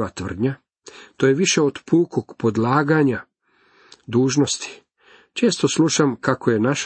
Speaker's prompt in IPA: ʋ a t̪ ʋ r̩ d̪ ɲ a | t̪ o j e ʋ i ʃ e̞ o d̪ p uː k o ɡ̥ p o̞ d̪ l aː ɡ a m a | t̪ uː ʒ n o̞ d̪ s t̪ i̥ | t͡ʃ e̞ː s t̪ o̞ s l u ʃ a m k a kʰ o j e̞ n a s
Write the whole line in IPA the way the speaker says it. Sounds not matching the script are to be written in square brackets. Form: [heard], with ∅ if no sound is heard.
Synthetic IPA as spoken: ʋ a t̪ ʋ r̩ d̪ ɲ a | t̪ o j e ʋ i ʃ e̞ o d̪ p uː k o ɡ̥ p o̞ d̪ l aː ɡ a [ɲ] a | [d̪] uː ʒ n o̞ [∅] s t̪ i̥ | t͡ʃ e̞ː s t̪ o̞ s l u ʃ a m k a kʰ o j e̞ n a [ʃ]